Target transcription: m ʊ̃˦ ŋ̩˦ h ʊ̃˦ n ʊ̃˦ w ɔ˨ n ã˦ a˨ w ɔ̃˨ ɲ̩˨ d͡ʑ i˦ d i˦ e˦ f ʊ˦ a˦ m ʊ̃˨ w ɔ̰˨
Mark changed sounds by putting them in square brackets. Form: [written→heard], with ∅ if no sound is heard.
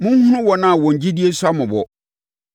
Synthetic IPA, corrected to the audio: m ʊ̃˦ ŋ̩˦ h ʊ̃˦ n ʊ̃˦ w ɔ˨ n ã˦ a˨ w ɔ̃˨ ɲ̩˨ d͡ʑ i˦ d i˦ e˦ [f→s] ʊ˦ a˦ m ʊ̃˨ [w→b] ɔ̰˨